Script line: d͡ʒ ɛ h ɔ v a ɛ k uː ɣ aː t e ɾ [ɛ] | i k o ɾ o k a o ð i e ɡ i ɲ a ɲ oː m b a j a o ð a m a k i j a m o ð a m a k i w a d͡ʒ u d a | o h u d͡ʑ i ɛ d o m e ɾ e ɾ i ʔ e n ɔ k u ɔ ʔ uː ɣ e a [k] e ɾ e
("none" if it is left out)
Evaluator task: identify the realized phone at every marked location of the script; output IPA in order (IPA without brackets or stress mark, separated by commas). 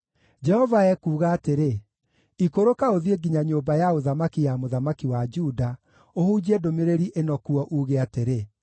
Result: e, t